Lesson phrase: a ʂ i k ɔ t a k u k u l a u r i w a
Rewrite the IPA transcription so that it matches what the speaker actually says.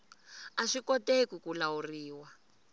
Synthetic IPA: a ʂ i k ɔ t e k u k u l a u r iː w a